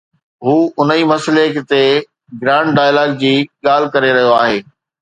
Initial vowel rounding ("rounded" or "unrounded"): rounded